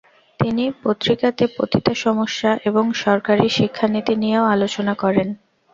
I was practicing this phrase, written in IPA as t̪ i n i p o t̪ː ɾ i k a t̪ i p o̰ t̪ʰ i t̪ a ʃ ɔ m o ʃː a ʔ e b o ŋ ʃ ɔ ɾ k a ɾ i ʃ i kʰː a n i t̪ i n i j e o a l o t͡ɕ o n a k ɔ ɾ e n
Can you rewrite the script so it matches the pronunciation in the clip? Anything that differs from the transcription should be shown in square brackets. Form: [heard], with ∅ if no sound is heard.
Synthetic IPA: t̪ i n i p o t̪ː ɾ i k a t̪ [e] p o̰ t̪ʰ i t̪ a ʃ ɔ m o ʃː a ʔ e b o ŋ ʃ ɔ ɾ k a ɾ i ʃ i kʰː a n i t̪ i n i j e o a l o t͡ɕ o n a k ɔ ɾ e n

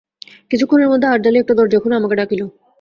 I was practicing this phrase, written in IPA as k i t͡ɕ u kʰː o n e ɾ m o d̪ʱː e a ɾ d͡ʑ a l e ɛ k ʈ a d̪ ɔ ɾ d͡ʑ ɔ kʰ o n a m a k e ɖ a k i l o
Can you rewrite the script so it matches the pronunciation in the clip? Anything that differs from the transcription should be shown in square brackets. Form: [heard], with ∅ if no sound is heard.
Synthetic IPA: k i [t͡ɕʰ] u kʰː o n e ɾ m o d̪ʱː e a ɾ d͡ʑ a l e ɛ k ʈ a d̪ ɔ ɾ d͡ʑ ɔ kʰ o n a m a k e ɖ a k i l o

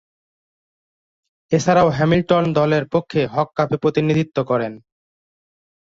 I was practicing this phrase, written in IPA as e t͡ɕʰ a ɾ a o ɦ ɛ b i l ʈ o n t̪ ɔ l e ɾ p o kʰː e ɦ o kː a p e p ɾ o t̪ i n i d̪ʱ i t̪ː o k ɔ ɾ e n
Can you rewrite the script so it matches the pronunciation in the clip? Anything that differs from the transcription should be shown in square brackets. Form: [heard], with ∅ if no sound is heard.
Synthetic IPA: e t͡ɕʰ a ɾ a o ɦ ɛ [m] i l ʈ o n [d̪] ɔ l e ɾ p o kʰː e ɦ [ɔ] kː a p e p ɾ o t̪ i n i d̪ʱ i t̪ː o k ɔ ɾ e n

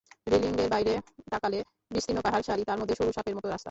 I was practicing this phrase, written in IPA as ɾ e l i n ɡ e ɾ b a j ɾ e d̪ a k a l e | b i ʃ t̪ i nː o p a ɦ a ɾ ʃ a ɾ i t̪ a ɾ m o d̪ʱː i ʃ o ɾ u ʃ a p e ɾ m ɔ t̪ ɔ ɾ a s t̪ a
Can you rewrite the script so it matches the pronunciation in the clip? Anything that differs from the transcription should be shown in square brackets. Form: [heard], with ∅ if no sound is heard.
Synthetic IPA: ɾ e l i [ŋ] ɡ e ɾ b a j ɾ e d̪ a k a l e | b i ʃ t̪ i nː o p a ɦ a ɾ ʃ a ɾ i t̪ a ɾ m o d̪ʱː [e] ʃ o ɾ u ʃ a p e ɾ m ɔ t̪ [o] ɾ a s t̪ a

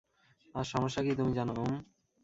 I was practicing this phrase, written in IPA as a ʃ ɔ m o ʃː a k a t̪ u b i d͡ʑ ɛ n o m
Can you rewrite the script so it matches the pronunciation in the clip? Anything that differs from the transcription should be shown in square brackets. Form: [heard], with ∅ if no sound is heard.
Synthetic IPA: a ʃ ɔ m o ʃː a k [i] t̪ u [m] i d͡ʑ [a] n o m

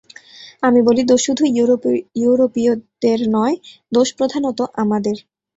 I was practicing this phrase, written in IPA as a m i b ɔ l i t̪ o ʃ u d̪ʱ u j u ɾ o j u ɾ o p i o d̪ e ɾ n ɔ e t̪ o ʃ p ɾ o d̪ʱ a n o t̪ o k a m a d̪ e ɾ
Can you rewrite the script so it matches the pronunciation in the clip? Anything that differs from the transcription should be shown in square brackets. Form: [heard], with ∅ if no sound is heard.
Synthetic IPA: a m i b [o] l i [d̪] o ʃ u d̪ʱ u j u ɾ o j u ɾ o p i o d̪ e ɾ n ɔ e [d̪] o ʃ p ɾ o d̪ʱ a n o t̪ o [ʔ] a m a d̪ e ɾ

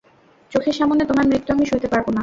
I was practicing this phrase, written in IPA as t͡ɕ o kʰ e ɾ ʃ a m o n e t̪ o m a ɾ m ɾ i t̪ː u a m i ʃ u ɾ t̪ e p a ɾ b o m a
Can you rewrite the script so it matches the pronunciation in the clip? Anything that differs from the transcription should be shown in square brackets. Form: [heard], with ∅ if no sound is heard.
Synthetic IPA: t͡ɕ o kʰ e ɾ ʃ a m o n e t̪ o m a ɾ m ɾ i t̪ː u a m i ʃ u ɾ t̪ e p a ɾ b o [n] a

